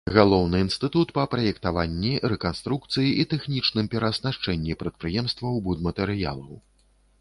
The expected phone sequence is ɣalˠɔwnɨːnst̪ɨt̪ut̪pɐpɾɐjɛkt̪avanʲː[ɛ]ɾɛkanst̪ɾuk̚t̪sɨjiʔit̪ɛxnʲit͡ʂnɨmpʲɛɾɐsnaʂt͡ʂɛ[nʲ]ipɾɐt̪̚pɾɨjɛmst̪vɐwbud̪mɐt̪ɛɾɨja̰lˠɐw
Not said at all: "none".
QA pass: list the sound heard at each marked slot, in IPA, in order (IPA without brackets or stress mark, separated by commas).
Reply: i, nʲː